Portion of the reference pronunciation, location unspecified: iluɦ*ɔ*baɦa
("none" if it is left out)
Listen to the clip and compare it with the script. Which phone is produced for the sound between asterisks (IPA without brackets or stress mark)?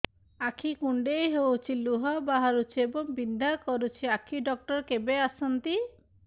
ɔ